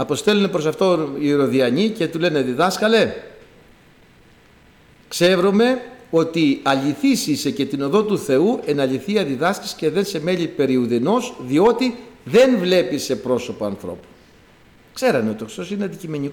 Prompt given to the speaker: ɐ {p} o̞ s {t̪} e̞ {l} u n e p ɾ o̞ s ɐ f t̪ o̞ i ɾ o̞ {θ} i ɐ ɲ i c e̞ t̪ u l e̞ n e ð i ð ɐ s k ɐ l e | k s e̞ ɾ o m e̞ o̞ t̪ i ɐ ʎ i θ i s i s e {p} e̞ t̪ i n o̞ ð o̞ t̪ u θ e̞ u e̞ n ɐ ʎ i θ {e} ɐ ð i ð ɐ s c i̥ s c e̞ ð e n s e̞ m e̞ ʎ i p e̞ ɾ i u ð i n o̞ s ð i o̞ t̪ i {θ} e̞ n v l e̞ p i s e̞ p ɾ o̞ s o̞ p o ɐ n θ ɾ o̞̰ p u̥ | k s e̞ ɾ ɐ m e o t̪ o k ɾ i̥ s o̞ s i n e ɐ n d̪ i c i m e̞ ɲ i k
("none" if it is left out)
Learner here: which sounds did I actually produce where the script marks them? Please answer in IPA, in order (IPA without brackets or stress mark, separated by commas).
p, t̪, l, ð, c, i, ð